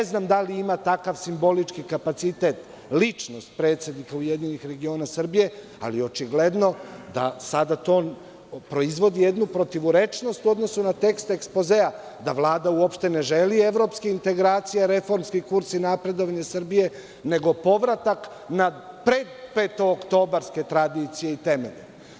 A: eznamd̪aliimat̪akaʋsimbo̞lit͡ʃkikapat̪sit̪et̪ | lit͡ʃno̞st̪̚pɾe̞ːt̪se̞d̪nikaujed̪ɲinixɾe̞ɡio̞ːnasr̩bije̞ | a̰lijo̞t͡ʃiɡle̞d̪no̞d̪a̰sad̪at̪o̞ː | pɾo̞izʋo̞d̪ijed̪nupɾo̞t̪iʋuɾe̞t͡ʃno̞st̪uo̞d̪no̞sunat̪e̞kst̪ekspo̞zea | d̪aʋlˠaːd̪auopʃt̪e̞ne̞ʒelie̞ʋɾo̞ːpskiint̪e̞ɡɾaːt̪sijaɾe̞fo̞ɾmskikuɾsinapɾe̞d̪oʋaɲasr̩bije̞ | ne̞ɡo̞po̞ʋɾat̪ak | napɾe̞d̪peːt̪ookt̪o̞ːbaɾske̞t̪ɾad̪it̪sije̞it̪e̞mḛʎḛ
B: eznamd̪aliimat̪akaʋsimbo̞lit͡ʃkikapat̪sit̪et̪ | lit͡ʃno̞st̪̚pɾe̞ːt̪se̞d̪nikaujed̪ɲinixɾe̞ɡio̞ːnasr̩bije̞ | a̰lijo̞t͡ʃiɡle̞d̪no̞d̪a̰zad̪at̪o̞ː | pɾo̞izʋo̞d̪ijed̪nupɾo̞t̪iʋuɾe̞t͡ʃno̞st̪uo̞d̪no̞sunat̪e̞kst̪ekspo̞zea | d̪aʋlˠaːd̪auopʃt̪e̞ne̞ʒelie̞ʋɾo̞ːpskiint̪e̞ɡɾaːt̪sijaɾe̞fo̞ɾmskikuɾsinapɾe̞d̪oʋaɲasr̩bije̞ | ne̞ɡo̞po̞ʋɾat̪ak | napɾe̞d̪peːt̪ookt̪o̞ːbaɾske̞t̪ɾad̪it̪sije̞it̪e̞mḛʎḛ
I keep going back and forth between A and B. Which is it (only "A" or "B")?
A